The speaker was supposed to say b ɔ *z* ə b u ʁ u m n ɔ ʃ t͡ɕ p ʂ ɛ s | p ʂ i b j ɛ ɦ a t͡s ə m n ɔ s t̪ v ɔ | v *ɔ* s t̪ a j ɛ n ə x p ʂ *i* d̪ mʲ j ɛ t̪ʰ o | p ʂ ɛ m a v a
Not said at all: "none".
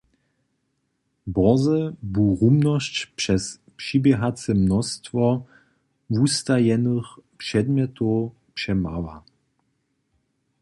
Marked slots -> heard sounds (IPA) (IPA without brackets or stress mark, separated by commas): z, u, ɛ